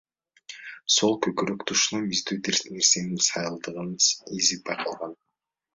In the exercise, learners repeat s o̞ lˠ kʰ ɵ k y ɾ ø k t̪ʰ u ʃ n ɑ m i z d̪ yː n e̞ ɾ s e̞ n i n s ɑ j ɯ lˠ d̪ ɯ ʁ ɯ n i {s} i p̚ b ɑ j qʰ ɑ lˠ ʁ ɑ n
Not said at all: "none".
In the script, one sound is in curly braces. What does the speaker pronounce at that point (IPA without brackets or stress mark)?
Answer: z